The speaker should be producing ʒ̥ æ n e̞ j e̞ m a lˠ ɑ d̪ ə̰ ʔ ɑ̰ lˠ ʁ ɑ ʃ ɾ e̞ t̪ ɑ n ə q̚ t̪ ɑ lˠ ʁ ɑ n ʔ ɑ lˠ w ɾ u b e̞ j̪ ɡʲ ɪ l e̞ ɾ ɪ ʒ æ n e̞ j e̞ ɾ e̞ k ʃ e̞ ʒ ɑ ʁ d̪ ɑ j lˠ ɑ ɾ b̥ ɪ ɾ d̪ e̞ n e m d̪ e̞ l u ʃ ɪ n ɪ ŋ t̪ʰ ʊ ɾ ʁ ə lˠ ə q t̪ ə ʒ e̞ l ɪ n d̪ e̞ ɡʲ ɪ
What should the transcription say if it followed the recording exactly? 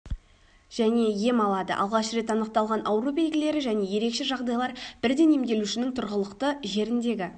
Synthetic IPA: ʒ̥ æ n e̞ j e̞ m ɑ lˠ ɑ d̪ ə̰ ʔ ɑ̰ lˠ ʁ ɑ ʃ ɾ e̞ t̪ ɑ n ə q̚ t̪ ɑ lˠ ʁ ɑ n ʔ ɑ w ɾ u b e̞ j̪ ɡʲ ɪ l e̞ ɾ ɪ ʒ æ n e̞ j e̞ ɾ e̞ k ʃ e̞ ʒ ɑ ʁ d̪ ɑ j lˠ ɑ ɾ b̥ ɪ ɾ d̪ e̞ n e m d̪ e̞ l u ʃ ɪ n ɪ ŋ t̪ʰ ʊ ɾ ʁ ə lˠ ə q t̪ ə ʒ e̞ ɾ ɪ n d̪ e̞ ɡʲ ɪ